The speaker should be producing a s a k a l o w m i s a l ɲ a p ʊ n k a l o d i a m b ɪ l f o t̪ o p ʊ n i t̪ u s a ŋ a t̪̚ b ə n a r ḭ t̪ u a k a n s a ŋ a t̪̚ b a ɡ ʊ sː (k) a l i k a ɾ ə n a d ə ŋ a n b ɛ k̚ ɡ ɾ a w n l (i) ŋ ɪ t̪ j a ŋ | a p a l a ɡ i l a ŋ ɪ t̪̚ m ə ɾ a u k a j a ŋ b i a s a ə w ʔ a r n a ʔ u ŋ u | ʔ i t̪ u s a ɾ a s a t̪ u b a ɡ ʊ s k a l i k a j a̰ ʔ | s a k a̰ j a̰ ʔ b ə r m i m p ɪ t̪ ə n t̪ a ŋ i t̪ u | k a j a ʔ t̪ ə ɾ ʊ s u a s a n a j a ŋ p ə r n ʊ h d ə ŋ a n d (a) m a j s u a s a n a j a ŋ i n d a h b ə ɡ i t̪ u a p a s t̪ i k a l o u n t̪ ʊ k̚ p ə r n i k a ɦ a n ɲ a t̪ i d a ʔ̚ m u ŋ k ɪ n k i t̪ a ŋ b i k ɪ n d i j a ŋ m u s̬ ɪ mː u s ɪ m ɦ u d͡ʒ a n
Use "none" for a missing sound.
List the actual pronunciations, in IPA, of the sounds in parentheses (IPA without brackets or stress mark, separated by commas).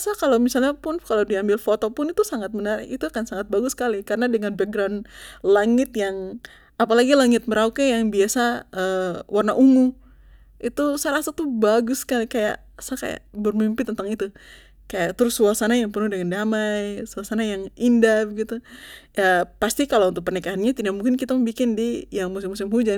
k, a, a